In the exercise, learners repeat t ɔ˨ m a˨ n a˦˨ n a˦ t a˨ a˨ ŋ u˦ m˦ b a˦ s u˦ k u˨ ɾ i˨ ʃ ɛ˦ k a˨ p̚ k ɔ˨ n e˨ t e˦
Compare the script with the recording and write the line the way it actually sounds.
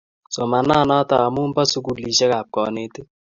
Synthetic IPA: s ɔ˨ m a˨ n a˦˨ n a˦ t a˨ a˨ m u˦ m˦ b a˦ s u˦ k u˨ l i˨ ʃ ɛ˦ k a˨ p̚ k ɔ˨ n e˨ t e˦